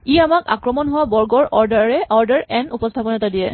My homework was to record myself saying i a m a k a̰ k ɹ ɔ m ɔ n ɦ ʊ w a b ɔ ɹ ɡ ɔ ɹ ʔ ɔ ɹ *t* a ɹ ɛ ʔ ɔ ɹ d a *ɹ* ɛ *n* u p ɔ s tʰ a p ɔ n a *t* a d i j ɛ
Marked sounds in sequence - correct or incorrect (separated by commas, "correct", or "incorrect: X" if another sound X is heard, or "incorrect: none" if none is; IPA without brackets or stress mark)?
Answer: incorrect: d, correct, correct, correct